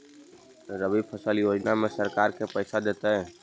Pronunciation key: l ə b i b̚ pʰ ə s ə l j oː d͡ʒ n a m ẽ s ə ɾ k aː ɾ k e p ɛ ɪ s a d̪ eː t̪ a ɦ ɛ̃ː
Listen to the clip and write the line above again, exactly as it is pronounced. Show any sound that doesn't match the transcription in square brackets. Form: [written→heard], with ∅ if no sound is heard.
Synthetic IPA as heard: [l→ɾ] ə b i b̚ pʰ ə s ə l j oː d͡ʒ n a m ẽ s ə ɾ k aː ɾ k e p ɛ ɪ s a d̪ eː t̪ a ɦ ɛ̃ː